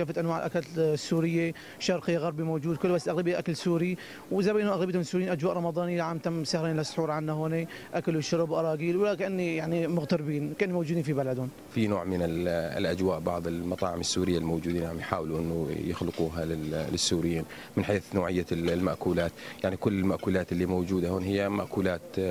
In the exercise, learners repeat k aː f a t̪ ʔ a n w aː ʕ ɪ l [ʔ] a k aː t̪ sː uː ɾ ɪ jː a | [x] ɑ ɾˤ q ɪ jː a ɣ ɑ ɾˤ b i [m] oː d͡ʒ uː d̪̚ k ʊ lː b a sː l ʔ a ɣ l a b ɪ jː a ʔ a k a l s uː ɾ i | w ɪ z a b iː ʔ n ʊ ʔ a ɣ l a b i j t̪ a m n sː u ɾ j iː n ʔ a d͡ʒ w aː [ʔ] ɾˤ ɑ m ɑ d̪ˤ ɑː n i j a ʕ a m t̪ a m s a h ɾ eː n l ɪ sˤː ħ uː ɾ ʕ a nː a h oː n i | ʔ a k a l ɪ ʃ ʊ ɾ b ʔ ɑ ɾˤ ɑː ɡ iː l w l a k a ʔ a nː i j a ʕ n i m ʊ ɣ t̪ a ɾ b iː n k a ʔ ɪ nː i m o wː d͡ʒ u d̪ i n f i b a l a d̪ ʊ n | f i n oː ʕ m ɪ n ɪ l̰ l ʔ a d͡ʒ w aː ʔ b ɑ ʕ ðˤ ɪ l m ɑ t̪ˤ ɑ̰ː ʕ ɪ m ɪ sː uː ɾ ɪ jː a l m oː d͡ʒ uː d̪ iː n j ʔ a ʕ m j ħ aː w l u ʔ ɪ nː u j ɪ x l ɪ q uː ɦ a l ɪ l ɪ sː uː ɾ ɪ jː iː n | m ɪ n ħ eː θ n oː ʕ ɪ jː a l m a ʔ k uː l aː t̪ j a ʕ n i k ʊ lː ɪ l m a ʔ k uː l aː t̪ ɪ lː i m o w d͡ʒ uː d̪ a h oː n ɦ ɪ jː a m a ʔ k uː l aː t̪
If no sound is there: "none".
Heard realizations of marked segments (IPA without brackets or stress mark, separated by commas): ʔ, ʃ, m, ʔ